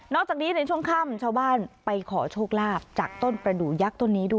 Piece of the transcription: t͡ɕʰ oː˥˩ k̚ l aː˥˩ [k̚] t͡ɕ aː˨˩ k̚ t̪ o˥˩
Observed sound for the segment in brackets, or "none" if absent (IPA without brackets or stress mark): p̚